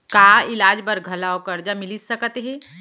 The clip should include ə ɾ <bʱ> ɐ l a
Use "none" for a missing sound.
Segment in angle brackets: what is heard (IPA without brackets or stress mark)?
ɡʱ